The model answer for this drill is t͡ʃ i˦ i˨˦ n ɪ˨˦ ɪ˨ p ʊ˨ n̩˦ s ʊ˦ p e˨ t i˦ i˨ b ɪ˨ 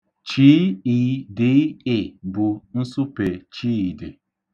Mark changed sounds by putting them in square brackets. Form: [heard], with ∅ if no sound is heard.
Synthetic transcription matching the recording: t͡ʃ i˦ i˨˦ [d] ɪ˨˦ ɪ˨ [b] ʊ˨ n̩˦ s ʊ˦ p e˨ [t͡ʃ] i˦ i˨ [d] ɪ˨